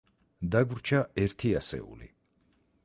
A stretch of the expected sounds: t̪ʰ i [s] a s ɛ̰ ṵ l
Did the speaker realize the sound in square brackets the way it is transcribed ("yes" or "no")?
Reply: no